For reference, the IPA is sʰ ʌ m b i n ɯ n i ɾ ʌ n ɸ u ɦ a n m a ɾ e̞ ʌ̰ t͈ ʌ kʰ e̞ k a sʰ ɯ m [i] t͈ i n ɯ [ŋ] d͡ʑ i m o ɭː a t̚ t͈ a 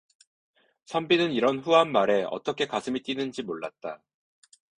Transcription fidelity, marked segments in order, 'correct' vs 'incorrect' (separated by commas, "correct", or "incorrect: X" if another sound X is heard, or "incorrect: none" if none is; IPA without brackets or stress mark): correct, incorrect: n